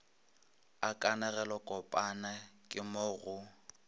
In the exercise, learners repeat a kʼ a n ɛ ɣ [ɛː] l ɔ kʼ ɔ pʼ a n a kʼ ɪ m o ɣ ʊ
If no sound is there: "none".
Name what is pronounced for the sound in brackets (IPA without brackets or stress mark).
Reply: ɛ